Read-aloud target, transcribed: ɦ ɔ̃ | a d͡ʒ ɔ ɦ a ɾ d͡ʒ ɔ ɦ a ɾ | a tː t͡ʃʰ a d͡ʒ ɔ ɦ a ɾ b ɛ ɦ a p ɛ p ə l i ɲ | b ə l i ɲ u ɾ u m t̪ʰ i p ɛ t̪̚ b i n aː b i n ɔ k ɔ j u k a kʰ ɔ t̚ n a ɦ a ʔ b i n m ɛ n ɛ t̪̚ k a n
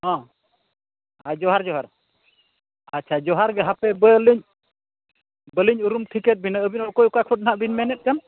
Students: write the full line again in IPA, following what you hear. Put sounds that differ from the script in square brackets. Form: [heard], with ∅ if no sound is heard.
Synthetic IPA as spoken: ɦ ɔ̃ | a d͡ʒ ɔ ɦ a ɾ d͡ʒ ɔ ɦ a ɾ | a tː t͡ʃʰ a d͡ʒ ɔ ɦ a ɾ [ɡ] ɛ ɦ a p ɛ [b] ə l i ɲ | b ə l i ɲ u ɾ u m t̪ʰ i [k] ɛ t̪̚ b i n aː b i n ɔ k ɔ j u k a kʰ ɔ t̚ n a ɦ a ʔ b i n m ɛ n ɛ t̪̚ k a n